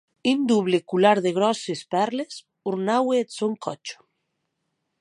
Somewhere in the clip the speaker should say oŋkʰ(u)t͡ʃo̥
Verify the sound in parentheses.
incorrect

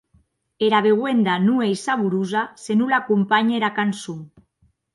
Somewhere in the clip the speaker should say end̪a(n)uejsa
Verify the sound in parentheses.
correct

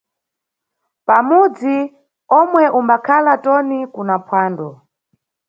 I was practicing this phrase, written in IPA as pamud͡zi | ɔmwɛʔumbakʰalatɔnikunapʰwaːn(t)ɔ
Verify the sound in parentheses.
incorrect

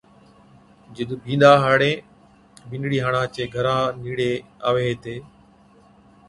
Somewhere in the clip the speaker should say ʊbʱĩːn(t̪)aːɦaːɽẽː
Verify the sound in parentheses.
incorrect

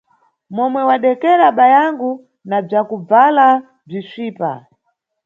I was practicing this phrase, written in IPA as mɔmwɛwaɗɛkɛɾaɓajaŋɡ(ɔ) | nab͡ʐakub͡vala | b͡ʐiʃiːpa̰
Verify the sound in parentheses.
incorrect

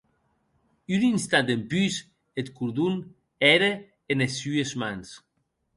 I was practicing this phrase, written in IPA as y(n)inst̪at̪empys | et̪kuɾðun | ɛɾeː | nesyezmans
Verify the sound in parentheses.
correct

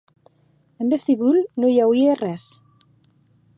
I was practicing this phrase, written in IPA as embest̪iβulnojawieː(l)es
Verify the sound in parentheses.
incorrect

